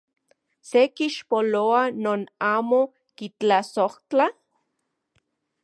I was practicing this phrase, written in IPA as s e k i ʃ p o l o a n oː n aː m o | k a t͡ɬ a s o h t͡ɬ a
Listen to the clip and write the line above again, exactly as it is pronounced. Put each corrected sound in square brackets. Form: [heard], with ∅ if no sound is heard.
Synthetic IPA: s e k i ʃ p o l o a n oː n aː m o | k [i] t͡ɬ a s o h t͡ɬ a